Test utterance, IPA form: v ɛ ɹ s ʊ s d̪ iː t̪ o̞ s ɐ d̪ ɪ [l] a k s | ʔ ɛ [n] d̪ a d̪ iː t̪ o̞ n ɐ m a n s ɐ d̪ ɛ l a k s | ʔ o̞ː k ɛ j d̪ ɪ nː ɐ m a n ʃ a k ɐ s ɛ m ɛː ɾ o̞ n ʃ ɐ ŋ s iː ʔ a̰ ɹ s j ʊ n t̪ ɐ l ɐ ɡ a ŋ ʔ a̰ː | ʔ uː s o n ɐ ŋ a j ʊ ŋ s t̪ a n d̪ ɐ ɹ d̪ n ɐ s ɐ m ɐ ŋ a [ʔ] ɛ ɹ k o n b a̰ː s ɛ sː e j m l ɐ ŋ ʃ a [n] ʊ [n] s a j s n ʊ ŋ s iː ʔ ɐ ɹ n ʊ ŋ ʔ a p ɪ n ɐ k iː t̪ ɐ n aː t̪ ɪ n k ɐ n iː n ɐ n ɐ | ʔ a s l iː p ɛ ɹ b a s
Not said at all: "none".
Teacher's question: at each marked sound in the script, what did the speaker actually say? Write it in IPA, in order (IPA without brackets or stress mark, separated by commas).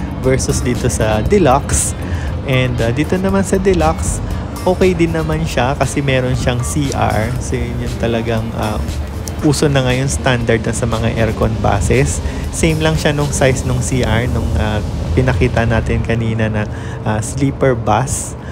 l, n, ʔ, n, ŋ